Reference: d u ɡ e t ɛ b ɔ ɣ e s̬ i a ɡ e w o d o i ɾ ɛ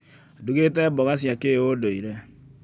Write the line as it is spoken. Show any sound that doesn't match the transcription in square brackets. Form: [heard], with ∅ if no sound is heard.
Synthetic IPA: d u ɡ e t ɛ b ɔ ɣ [a] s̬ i a [k] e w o d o i ɾ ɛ

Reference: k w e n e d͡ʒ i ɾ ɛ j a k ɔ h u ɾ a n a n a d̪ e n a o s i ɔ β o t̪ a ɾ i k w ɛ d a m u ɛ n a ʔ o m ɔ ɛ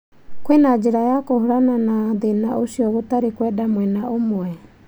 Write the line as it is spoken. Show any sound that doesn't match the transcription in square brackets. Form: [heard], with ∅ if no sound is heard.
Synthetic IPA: k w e n [a] d͡ʒ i ɾ [a] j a k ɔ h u ɾ a n a n a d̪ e n a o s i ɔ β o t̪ a ɾ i k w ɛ d a m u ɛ n a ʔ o m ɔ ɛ

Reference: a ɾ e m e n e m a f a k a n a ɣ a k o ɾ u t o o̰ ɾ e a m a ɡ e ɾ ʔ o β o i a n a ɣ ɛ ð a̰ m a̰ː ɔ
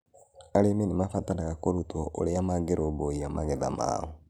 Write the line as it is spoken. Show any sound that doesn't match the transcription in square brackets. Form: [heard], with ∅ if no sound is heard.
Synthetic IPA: a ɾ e m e n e m a f a [t] a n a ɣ a k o ɾ u t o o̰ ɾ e a m a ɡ e ɾ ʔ o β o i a [m] a ɣ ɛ ð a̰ m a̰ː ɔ

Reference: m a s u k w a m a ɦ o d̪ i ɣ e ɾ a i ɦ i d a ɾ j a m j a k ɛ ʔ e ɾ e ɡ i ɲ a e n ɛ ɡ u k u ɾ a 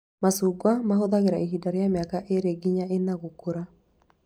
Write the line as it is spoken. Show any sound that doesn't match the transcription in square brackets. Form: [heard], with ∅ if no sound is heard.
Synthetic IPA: m a s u [ɡ] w a m a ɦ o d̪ [a] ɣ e ɾ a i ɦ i d a ɾ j a m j a k [a] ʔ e ɾ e ɡ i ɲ a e n [a] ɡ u k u ɾ a

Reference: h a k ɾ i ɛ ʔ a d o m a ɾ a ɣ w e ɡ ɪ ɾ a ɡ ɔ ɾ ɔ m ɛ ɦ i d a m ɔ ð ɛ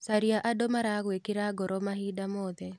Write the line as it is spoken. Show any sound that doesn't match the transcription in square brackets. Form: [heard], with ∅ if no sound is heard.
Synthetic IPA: [s] a [∅] ɾ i [a] ʔ a d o m a ɾ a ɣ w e [k] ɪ ɾ a ɡ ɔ ɾ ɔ m [a] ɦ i d a m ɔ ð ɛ

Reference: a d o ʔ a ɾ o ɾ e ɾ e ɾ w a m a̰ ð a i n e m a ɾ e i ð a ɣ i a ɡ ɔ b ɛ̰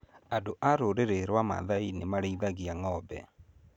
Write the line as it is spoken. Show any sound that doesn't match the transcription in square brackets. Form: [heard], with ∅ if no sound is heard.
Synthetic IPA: a d o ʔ a ɾ o ɾ e ɾ e ɾ w a m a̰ ð a i n e m a ɾ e i ð a ɣ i a [ŋ] ɔ b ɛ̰

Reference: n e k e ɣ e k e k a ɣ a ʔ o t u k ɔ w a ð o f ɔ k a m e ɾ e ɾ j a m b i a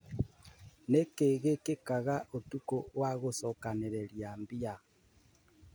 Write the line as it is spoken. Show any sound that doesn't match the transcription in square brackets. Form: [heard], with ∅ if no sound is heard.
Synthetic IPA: n e k e ɣ e k e k a ɣ a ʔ o t u k [o] w a [ɣ] o [s] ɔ k a [n] e ɾ e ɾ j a m b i a

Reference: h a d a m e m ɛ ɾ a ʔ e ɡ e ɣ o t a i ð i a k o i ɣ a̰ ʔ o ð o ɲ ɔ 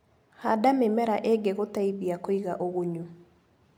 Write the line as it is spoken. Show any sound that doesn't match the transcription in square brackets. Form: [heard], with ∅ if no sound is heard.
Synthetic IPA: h a d a m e m ɛ ɾ a ʔ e ɡ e ɣ o t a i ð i a k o i ɣ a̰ ʔ o [ɣ] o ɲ [u]

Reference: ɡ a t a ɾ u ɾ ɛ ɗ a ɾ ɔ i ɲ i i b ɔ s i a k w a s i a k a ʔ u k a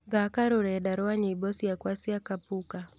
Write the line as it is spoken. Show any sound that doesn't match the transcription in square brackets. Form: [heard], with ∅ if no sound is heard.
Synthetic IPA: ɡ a [k] a ɾ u ɾ ɛ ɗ a ɾ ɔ [a] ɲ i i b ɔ s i a k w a s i a k a [p] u k a

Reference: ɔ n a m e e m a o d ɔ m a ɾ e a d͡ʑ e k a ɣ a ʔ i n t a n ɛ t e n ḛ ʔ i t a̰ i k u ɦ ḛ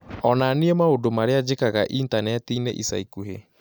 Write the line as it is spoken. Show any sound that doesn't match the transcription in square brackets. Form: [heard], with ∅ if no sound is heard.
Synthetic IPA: ɔ n a [n] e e m a o d [o] m a ɾ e a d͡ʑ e k a ɣ a ʔ i n t a n ɛ t [i] n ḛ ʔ i [s] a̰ i k u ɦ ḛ

